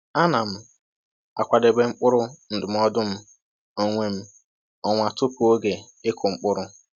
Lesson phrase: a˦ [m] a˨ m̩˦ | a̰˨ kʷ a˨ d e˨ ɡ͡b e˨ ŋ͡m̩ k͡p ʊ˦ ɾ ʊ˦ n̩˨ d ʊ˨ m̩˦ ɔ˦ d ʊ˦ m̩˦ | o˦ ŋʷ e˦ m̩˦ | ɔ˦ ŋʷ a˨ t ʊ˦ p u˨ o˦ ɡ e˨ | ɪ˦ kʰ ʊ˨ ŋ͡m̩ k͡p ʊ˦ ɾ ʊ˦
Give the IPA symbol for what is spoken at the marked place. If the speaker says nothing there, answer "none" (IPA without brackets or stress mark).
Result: n